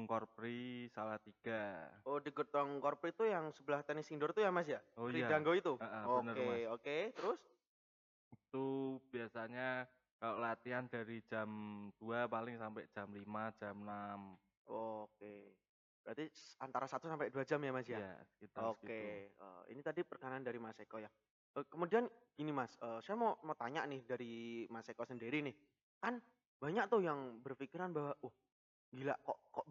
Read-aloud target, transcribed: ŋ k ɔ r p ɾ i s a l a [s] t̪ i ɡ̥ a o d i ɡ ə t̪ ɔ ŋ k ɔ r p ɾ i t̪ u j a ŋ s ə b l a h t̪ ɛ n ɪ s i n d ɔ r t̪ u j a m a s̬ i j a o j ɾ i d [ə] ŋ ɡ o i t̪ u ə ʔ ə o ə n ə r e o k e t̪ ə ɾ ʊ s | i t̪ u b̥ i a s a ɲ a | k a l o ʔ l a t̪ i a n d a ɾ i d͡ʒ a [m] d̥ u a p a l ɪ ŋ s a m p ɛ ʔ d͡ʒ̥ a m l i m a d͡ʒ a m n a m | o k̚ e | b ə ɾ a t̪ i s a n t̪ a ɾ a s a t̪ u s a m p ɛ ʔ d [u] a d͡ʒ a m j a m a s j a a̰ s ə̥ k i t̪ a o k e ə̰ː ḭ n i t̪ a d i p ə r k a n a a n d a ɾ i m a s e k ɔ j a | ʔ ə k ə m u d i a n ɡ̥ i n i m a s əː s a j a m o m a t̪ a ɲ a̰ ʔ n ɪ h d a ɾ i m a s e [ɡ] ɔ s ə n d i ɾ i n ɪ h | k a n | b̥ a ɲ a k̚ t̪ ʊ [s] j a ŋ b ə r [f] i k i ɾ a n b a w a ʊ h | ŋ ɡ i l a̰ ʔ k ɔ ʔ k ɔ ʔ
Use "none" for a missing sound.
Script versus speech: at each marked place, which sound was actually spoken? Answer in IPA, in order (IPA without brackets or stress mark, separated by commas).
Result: h, a, m, u, k, h, f